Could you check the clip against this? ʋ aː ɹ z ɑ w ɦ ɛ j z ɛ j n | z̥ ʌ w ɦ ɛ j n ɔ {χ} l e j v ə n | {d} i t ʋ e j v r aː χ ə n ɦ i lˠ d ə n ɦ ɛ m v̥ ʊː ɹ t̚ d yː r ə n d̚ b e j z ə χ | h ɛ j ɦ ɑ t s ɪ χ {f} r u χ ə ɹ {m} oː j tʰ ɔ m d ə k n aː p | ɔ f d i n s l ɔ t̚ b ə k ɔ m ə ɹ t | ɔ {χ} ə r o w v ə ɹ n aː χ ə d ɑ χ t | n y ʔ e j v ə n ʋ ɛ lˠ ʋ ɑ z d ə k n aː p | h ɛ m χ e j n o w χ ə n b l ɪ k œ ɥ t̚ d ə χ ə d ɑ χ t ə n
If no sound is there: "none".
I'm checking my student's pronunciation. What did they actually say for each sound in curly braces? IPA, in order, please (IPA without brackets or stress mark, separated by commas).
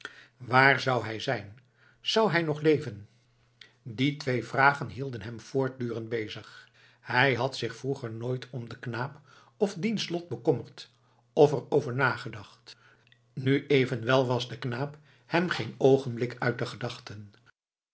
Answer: χ, d, f, n, f